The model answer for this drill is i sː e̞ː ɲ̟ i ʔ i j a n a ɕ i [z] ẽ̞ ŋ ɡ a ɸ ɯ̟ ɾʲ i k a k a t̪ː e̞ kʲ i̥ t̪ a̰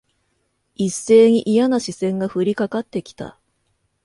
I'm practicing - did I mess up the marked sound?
yes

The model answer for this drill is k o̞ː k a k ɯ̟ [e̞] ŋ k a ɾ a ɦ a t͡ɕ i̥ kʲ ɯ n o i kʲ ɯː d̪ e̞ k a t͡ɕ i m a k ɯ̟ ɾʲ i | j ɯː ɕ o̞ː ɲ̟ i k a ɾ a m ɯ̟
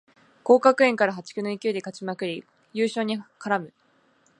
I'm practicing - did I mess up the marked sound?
yes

